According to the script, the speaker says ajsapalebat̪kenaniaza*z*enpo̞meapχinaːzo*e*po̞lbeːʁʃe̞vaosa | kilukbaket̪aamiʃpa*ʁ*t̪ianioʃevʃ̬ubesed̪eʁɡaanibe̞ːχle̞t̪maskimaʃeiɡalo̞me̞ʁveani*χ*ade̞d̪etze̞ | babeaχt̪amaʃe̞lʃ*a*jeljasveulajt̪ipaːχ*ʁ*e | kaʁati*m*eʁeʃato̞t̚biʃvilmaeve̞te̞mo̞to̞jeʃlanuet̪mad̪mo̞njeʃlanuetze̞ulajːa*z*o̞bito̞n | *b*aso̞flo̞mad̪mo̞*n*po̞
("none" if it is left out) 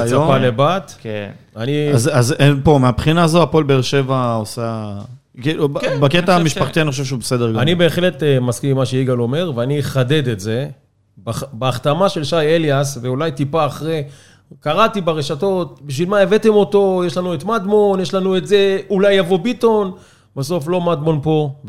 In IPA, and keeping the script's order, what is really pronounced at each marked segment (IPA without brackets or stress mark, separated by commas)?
z, a, χ, χ, a, ʁ, b, v, b, n